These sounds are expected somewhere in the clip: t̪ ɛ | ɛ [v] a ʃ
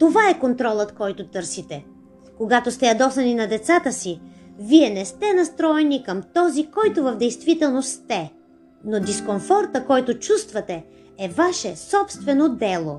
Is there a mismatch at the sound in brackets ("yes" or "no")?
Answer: no